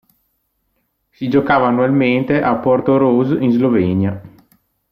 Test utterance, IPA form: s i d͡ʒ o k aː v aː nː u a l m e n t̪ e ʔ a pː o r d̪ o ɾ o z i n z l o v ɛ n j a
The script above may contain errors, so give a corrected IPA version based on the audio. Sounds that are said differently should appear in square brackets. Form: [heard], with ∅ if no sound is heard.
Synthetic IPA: s i d͡ʒ o k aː v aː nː u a l m e n t̪ e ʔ a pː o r [t̪] o ɾ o z i n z l o v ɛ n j a